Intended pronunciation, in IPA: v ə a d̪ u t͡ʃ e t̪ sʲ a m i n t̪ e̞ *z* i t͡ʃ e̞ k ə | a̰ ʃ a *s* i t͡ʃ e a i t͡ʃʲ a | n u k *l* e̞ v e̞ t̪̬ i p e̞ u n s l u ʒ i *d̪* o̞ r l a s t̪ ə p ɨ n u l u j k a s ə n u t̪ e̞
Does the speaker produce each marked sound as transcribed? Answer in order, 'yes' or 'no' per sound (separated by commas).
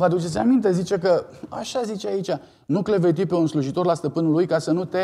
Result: yes, no, yes, no